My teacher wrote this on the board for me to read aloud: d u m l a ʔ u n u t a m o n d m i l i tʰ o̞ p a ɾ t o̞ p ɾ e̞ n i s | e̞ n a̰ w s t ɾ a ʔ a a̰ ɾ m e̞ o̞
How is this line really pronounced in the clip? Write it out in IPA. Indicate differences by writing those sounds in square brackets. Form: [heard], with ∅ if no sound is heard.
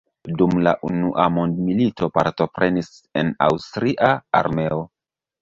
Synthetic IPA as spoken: d u m l a ʔ u n u [ʔ] a m o n d m i l i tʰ o̞ p a ɾ t o̞ p ɾ e̞ n i s | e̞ n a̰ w s t ɾ [i] ʔ a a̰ ɾ m e̞ o̞